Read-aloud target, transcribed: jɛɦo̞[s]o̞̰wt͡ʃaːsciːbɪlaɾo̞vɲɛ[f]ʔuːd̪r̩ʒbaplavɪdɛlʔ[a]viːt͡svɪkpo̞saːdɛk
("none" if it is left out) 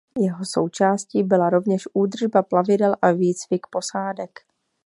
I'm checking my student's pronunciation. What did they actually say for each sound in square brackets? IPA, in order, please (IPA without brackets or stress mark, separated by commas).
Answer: s, ʃ, a